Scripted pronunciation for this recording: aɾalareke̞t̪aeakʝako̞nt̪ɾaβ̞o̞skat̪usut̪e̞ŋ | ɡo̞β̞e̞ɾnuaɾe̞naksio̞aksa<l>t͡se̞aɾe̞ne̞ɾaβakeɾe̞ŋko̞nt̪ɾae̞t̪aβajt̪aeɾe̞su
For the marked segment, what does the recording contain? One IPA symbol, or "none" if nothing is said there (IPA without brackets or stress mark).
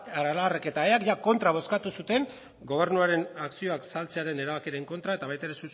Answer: l